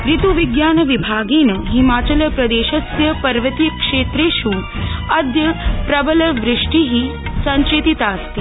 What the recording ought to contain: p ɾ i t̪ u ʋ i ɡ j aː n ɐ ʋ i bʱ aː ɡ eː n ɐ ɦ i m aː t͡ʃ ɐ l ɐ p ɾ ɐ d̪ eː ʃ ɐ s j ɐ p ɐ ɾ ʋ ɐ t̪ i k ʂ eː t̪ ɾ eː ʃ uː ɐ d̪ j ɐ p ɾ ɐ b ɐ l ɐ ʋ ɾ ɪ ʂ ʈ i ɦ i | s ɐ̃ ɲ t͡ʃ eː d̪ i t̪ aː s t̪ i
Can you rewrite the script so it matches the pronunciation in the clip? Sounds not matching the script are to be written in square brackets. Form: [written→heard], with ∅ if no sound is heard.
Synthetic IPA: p ɾ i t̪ u ʋ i ɡ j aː n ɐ ʋ i bʱ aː ɡ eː n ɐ ɦ i m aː t͡ʃ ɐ l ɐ p ɾ ɐ d̪ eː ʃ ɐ s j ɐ p ɐ ɾ ʋ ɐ t̪ i k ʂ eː t̪ ɾ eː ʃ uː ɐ d̪ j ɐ p ɾ ɐ b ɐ l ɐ ʋ ɾ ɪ ʂ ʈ i ɦ i | s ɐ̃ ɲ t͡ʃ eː [d̪→t̪] i t̪ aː s t̪ i